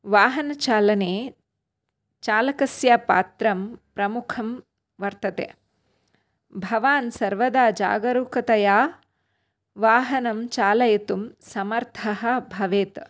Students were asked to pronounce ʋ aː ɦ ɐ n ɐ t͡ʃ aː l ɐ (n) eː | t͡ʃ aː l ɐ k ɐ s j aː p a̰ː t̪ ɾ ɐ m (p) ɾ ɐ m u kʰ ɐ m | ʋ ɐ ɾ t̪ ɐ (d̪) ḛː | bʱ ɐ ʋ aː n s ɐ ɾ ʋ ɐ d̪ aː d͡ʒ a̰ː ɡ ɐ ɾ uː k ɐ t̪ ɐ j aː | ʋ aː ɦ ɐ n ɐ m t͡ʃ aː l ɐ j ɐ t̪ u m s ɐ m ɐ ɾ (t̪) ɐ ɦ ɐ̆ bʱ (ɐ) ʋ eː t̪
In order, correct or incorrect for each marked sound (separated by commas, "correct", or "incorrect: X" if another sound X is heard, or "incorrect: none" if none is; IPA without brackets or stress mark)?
correct, correct, incorrect: t̪, incorrect: t̪ʰ, correct